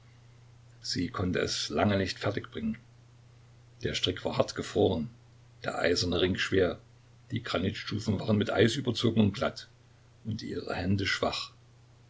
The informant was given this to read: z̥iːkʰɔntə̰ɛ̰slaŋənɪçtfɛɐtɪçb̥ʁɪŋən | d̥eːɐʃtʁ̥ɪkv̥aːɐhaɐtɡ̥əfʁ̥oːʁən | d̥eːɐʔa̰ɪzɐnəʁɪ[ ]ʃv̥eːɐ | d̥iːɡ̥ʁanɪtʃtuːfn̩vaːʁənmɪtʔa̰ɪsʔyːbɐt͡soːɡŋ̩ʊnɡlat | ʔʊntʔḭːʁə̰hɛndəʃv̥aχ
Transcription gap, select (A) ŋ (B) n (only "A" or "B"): A